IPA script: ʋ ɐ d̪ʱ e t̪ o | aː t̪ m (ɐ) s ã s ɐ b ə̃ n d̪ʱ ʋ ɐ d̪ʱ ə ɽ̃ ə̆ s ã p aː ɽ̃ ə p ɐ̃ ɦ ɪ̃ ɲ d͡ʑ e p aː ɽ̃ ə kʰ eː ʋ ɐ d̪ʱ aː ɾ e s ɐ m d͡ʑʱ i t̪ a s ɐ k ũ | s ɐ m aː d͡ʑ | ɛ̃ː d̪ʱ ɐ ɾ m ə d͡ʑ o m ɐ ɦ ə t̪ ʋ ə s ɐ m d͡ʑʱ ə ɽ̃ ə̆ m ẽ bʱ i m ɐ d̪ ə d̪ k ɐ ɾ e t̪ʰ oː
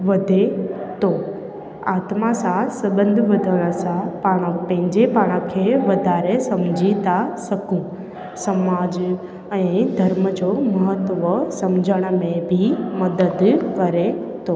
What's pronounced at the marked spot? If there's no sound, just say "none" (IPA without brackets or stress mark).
a